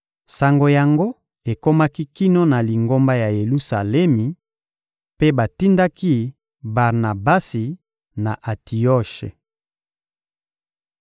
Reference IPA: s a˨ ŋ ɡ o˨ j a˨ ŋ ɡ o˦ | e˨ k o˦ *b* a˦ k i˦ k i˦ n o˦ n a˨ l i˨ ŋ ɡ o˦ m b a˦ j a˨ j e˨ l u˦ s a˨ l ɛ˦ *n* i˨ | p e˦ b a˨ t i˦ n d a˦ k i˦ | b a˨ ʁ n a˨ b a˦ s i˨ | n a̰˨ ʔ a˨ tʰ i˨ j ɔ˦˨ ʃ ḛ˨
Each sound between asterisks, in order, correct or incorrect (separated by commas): incorrect, incorrect